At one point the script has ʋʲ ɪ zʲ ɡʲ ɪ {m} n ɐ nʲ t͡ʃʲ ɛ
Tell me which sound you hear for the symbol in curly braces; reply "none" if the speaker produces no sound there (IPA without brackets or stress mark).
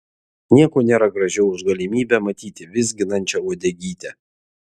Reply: none